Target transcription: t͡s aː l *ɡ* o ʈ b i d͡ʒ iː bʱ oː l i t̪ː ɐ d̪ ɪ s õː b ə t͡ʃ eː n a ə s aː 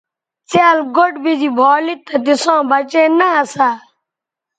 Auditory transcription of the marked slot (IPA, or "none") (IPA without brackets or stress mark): ɡ